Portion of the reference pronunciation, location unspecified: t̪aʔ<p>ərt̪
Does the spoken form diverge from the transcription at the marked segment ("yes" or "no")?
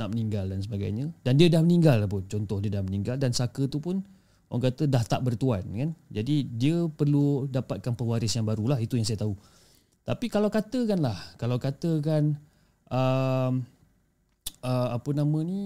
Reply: yes